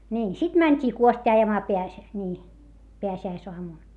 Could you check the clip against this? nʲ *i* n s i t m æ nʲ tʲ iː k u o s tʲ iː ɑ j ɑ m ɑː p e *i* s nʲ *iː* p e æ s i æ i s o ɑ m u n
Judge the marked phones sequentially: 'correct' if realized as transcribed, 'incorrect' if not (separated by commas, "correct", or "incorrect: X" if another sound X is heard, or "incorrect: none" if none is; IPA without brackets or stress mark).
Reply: incorrect: iː, incorrect: æ, correct